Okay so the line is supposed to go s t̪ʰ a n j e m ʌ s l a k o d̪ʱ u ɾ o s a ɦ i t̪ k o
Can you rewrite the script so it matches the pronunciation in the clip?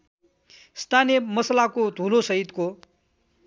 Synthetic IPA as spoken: s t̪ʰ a n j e m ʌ s l a k o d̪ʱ u l o s ʌ ɦ i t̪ k o